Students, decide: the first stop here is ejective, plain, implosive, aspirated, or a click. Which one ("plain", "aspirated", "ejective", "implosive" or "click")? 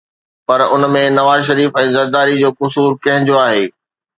plain